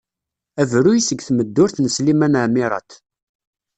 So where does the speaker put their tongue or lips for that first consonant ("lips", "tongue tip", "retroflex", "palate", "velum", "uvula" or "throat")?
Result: lips